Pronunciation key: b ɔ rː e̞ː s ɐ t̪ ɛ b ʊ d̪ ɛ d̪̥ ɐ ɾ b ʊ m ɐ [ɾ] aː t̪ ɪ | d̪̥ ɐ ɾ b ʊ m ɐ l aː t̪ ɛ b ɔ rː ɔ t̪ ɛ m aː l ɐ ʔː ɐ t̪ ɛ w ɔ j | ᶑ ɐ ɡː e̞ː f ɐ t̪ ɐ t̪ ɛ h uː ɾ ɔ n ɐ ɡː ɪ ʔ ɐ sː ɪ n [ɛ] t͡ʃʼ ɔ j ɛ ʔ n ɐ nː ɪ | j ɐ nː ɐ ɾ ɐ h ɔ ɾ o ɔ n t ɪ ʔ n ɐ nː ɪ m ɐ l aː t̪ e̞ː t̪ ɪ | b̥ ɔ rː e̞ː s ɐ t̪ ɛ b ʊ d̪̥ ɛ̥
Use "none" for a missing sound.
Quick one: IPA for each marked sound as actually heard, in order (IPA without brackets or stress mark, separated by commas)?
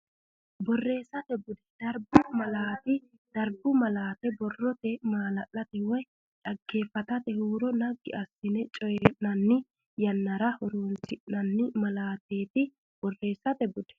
l, ɛ